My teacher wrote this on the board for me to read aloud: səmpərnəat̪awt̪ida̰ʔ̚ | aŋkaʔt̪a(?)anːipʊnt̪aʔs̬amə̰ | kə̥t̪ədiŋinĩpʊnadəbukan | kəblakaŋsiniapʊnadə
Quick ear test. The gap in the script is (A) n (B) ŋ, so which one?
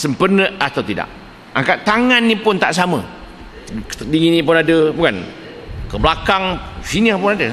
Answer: B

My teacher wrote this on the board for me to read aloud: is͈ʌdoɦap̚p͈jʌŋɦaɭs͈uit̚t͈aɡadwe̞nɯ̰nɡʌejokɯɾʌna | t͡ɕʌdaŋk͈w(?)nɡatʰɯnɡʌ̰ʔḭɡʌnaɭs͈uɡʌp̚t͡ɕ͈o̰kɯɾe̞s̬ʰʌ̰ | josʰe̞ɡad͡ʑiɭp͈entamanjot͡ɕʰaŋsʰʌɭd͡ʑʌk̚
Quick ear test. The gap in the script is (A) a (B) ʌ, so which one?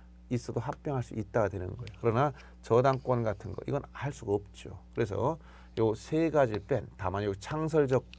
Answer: B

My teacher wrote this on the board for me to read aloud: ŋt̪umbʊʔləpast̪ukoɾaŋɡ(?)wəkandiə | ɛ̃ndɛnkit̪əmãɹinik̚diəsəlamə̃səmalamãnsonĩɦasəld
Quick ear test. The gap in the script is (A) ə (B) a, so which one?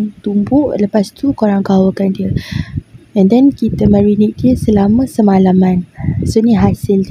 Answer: B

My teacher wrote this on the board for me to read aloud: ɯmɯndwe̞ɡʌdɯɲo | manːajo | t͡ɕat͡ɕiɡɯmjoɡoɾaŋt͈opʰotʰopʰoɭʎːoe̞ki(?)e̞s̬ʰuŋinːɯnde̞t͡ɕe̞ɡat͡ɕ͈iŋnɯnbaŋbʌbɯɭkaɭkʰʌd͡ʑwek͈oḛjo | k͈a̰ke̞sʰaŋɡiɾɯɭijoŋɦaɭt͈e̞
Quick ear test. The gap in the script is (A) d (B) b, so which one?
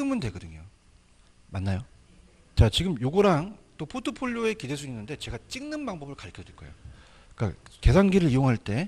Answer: A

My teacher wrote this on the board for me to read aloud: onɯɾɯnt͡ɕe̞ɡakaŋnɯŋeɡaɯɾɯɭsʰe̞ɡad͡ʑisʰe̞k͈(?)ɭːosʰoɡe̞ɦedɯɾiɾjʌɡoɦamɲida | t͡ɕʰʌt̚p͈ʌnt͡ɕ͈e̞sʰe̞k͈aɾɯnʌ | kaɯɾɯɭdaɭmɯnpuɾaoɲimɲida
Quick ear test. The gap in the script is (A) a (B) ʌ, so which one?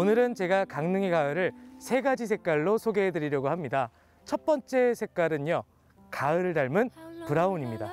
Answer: A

